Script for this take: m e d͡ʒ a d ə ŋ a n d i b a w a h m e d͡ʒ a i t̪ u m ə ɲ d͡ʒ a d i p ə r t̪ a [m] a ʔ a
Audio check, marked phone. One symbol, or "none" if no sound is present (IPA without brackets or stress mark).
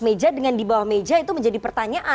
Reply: ɲ